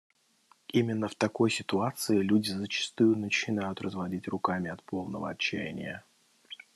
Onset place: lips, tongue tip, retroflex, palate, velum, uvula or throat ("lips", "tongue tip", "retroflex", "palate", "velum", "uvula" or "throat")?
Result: lips